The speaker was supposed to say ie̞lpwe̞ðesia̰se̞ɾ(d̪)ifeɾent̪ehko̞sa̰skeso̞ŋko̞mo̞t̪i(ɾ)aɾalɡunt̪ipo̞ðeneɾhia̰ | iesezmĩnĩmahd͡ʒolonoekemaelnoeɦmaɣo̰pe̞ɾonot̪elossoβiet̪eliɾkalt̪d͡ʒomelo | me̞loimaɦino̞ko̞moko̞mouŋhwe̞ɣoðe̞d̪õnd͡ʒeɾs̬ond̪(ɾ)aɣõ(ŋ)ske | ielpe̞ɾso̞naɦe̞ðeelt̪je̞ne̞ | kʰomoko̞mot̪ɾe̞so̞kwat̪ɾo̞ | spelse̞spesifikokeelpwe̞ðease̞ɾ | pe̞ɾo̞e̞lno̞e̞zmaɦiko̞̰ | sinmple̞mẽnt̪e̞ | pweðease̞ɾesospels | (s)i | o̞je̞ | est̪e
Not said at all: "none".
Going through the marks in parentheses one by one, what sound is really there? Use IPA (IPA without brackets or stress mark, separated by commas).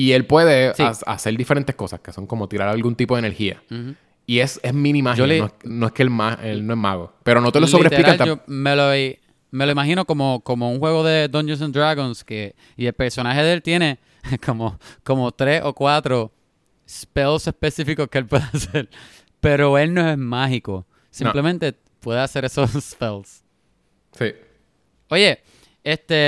d̪, ɾ, ɾ, n, s